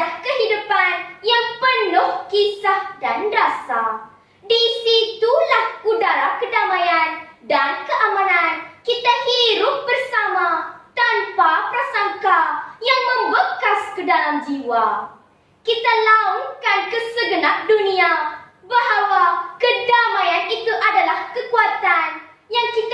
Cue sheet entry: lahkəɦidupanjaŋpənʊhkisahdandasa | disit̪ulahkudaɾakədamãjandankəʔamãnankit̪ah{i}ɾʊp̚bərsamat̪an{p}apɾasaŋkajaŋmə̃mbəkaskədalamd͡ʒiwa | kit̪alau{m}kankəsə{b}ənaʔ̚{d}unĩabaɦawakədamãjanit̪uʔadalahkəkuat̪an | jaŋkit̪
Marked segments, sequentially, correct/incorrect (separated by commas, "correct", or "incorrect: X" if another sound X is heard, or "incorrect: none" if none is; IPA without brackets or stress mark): correct, correct, incorrect: ŋ, incorrect: ɡ, correct